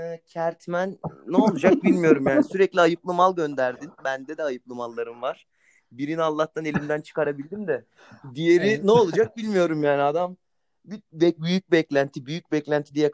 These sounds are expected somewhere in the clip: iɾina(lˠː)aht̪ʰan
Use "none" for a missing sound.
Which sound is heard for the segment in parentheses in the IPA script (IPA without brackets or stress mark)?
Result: lˠː